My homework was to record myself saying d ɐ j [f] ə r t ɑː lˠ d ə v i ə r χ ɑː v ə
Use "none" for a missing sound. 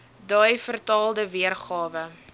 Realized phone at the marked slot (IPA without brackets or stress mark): f